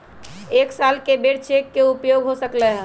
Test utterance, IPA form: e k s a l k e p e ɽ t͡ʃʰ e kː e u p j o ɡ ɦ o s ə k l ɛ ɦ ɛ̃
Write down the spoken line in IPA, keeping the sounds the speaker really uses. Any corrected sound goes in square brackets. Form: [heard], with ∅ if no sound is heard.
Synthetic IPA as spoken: e k s a l k e [b] e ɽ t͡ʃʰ e kː e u p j o ɡ ɦ o s ə k l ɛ ɦ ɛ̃